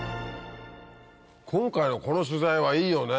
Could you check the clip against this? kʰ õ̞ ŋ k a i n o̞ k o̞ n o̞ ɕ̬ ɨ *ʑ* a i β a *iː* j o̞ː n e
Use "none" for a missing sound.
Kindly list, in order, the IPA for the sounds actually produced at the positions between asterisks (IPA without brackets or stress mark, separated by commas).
z, iː